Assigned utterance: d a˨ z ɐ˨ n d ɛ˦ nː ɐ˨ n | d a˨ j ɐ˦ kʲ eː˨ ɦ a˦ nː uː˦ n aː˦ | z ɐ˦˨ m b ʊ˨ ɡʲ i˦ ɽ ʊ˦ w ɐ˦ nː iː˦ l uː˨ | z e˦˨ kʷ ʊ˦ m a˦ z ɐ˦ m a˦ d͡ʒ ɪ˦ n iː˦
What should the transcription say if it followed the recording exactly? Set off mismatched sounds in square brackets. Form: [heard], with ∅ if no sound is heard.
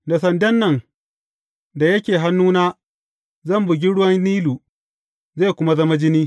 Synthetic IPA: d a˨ [s] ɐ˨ n d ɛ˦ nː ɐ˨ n | d a˨ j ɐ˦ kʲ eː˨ ɦ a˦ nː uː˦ n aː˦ | z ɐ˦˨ m b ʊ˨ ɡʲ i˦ ɽ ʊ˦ w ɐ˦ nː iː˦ l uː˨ | z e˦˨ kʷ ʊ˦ m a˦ z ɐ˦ m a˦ d͡ʒ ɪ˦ n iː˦